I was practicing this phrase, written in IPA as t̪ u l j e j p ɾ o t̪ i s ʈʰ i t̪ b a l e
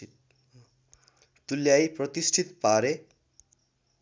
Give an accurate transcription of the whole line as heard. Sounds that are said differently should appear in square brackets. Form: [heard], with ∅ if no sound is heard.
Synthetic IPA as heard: t̪ u l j [a] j p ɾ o t̪ i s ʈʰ i t̪ [p] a [ɾ] e